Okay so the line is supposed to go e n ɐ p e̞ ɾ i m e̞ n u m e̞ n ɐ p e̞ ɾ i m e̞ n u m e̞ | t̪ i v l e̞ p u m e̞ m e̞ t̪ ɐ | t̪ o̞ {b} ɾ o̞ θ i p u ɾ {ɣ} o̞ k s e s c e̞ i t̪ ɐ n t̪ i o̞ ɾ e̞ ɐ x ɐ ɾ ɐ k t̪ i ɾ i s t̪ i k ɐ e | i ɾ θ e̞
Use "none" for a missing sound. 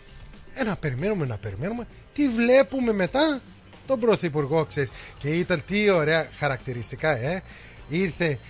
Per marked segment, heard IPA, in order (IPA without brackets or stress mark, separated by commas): b, ɣ